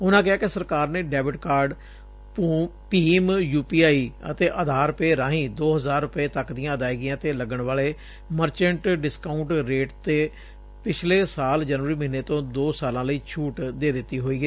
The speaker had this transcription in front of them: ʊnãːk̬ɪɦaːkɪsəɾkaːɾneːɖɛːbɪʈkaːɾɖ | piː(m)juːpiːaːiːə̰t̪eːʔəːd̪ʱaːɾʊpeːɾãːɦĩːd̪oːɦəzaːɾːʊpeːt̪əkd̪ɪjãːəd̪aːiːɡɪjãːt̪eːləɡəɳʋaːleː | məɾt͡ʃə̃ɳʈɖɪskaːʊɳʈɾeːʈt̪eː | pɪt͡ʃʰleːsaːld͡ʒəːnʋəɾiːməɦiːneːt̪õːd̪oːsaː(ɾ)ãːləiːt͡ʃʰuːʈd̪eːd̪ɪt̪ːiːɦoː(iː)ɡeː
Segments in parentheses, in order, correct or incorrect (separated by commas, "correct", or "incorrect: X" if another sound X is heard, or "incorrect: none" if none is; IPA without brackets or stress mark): correct, incorrect: l, correct